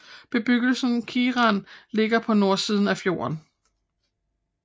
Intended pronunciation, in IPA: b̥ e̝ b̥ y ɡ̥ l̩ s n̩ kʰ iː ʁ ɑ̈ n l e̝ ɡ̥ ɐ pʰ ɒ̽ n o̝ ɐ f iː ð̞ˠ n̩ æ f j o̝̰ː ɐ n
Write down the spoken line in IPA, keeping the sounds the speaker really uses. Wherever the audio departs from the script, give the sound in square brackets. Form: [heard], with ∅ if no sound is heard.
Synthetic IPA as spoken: b̥ e̝ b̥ y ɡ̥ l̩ s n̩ kʰ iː ʁ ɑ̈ n l e̝ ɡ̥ ɐ pʰ ɒ̽ n o̝ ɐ [s] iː ð̞ˠ n̩ æ f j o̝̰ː ɐ n